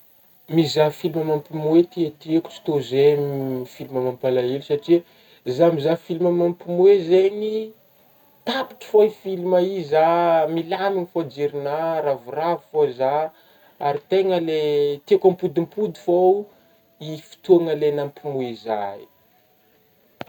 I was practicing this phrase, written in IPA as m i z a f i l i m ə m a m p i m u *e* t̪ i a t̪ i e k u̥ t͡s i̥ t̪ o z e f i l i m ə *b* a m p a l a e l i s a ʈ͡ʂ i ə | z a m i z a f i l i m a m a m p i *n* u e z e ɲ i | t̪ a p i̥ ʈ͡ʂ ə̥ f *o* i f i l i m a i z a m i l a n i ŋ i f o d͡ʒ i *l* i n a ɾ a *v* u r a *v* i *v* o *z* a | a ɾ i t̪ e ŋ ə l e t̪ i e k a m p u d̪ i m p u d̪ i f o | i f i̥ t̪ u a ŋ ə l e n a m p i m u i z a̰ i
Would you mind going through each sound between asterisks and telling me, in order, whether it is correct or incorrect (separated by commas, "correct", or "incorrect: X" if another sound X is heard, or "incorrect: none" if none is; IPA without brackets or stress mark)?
correct, incorrect: m, incorrect: m, correct, incorrect: ɾ, correct, correct, incorrect: f, correct